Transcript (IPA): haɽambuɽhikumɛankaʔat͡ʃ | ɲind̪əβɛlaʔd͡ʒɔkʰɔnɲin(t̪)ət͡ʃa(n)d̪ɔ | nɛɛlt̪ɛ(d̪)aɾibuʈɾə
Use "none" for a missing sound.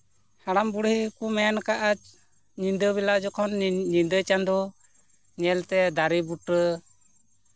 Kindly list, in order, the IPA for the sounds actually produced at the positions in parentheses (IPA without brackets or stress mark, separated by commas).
d̪, n, d̪